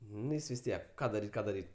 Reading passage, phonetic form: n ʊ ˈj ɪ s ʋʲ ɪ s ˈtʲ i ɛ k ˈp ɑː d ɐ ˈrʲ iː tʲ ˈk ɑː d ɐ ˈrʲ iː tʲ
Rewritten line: n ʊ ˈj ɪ s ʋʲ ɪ s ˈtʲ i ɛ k ˈk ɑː d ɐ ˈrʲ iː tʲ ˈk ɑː d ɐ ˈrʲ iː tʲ